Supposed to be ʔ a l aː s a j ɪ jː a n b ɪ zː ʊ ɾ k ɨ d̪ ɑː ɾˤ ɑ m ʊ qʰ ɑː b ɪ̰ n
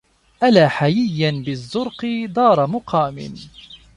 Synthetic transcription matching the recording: ʔ a l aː ħ a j ɪ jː a n b ɪ zː ʊ ɾ q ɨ d̪ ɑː ɾˤ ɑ m ʊ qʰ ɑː m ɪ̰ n